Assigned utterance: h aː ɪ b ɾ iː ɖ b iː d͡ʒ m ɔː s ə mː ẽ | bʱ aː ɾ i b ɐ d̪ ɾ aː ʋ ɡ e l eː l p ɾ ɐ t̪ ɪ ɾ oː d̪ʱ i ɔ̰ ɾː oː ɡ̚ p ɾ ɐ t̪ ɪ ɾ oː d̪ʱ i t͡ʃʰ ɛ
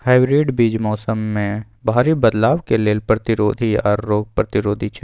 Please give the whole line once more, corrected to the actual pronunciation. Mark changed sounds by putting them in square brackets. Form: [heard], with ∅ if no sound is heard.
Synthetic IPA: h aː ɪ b ɾ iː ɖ b iː d͡ʒ m ɔː s ə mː ẽ | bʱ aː ɾ i b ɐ d̪ [l] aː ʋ [k] e l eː l p ɾ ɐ t̪ ɪ ɾ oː d̪ʱ i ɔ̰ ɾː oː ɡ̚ p ɾ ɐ t̪ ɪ ɾ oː d̪ʱ i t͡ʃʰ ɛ